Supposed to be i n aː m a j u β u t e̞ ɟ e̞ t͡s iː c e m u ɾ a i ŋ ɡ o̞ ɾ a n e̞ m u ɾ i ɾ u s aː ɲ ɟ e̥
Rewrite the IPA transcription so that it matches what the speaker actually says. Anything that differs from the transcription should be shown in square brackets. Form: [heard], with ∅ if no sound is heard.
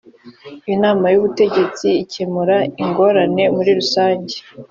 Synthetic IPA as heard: i n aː m a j u β u t e̞ ɟ e̞ t͡s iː c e m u ɾ a i ŋ ɡ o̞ ɾ a n e̞ m u ɾ i ɾ u s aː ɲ ɟ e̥